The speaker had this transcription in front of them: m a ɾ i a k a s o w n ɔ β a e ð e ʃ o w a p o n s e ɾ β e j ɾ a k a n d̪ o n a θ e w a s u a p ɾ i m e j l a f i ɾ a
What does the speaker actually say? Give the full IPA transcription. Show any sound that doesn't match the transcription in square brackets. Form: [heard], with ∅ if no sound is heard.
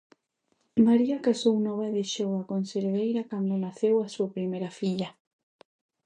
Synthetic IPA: m a ɾ i a k a s o w n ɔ β a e ð e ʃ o w a [k] o n s e ɾ β e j ɾ a k a n d̪ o n a θ e w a s u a p ɾ i m e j [ɾ] a f i [ʎ] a

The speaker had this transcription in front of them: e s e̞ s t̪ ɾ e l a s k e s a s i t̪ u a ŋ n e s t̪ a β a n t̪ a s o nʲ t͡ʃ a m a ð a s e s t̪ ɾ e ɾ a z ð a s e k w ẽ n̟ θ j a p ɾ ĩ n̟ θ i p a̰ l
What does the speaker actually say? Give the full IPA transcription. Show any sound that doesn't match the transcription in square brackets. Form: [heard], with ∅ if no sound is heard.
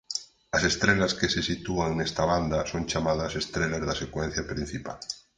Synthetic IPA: [a] s e̞ s t̪ ɾ e l a s k e s [e] s i t̪ u a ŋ n e s t̪ a β a n [d̪] a s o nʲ t͡ʃ a m a ð a s e s t̪ ɾ e [l] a z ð a s e k w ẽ n̟ θ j a p ɾ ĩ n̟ θ i p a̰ l

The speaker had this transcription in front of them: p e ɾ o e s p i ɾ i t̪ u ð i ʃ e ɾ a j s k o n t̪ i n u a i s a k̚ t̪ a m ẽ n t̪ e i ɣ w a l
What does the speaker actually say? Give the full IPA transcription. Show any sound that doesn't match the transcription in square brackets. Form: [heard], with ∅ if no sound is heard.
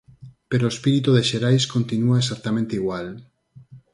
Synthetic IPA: p e ɾ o e s p i ɾ i t̪ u ð [e] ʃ e ɾ a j s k o n t̪ i n u a [e] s a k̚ t̪ a m ẽ n t̪ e i ɣ w a l

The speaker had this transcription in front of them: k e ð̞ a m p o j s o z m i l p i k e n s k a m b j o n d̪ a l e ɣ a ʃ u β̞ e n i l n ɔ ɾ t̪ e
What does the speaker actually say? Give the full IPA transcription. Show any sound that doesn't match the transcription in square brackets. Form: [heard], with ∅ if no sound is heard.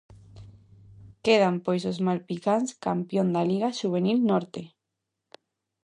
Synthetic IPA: k e ð̞ a m p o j s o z m [a] l p i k [a] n s k a m [p] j o n d̪ a l [i] ɣ a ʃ u β̞ e n i l n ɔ ɾ t̪ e

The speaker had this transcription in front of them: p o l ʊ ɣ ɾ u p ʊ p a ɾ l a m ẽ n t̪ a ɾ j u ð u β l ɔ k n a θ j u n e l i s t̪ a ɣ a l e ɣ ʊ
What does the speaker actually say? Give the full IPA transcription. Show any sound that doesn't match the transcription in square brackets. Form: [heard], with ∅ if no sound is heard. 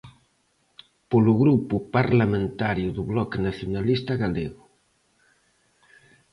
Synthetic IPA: p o l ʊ ɣ ɾ u p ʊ p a ɾ l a m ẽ n t̪ a ɾ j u ð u β l ɔ k n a θ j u n [a] l i s t̪ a ɣ a l e ɣ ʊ

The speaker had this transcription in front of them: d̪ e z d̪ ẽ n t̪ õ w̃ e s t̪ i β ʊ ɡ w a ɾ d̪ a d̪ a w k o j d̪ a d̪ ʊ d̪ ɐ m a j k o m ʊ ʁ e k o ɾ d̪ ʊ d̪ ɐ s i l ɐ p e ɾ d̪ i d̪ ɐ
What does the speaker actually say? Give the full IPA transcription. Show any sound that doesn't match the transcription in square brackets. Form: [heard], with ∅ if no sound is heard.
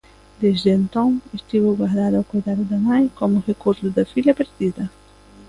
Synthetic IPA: d̪ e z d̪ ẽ n t̪ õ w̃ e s t̪ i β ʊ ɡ w a ɾ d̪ a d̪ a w k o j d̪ a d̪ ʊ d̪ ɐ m a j k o m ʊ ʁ e k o ɾ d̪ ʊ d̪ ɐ [f] i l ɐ p e ɾ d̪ i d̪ ɐ

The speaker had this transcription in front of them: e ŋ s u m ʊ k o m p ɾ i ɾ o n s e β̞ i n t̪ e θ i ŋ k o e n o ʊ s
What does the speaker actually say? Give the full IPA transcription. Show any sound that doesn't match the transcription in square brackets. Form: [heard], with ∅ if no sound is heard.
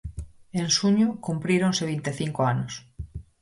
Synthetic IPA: e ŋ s u [ɲ] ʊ k [u] m p ɾ i ɾ o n s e β̞ i n t̪ e θ i ŋ k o [a] n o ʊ s

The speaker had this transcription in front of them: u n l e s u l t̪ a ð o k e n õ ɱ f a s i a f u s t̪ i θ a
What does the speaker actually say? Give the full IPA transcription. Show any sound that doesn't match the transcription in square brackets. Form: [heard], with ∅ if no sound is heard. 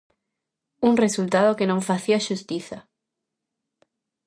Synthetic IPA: u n [r] e s u l t̪ a ð o k e n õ ɱ f a [θ] i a [ʃ] u s t̪ i θ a

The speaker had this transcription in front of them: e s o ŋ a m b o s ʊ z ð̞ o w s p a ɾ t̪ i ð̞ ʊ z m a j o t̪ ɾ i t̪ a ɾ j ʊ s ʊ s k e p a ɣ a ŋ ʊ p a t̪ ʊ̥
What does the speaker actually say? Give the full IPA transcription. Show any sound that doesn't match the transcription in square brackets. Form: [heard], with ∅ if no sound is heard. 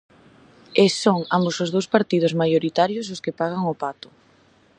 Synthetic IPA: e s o ŋ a m b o s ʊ z ð̞ o w s p a ɾ t̪ i ð̞ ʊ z m a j o [∅] ɾ i t̪ a ɾ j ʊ s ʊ s k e p a ɣ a ŋ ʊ p a t̪ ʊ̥

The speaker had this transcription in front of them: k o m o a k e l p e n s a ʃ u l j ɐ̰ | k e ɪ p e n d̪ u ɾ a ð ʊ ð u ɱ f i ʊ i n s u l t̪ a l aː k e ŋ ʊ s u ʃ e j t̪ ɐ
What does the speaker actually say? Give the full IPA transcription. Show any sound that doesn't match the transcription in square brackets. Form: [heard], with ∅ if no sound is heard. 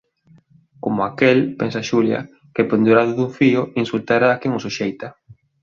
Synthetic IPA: k o m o a k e l p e n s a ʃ u l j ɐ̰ | k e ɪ p e n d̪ u ɾ a ð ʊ ð u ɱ f i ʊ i n s u l t̪ a [ɾ] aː k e ŋ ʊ s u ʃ e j t̪ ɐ

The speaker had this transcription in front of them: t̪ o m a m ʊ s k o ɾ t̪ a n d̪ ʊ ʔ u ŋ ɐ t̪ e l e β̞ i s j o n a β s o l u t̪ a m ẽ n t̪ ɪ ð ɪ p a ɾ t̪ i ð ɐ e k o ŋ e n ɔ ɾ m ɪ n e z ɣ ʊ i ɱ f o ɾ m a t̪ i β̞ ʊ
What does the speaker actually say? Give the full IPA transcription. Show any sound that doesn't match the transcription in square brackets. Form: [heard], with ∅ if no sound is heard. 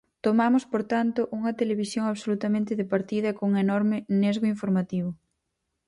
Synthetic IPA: t̪ o m a m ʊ s [p] o ɾ t̪ a n [t̪] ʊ ʔ u ŋ ɐ t̪ e l e β̞ i s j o [ŋ] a β s o l u t̪ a m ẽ n t̪ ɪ ð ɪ p a ɾ t̪ i ð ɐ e k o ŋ e n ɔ ɾ m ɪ n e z ɣ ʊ i ɱ f o ɾ m a t̪ i β̞ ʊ

